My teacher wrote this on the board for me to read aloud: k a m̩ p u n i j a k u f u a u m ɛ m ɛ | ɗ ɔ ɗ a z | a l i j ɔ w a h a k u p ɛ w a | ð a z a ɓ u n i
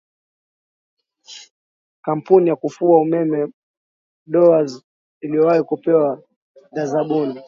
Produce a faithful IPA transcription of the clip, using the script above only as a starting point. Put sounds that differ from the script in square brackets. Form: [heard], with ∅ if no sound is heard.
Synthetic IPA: k a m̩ p u n i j a k u f u a u m ɛ m ɛ | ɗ ɔ [∅] a z | [i] l i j ɔ w a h [i] k u p ɛ w a | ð a z a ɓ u n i